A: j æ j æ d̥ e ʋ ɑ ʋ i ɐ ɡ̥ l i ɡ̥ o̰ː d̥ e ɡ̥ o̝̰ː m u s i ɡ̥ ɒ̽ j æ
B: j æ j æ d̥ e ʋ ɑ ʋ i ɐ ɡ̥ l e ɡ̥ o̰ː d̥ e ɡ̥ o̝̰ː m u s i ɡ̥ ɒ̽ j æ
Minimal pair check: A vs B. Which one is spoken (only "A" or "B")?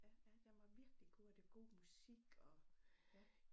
A